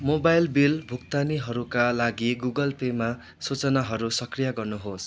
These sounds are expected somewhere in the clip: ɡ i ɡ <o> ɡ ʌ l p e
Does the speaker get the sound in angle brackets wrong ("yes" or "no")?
yes